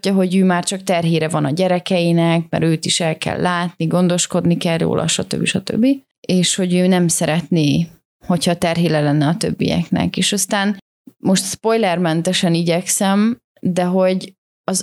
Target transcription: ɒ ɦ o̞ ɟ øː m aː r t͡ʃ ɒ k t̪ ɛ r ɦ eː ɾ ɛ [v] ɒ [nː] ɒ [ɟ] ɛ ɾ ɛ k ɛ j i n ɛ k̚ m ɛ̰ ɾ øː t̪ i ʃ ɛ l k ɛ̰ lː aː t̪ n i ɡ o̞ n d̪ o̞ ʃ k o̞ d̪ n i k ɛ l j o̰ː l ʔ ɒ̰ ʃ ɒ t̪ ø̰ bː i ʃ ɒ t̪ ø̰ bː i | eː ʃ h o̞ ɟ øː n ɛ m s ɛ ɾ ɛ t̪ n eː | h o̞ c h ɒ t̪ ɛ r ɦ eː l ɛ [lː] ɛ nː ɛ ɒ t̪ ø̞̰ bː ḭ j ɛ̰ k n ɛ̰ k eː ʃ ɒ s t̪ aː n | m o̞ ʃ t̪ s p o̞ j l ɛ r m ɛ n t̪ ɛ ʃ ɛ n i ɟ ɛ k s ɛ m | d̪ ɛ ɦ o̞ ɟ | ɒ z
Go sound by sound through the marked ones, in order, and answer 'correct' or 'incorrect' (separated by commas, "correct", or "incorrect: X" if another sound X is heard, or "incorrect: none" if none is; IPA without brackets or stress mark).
correct, incorrect: n, correct, incorrect: l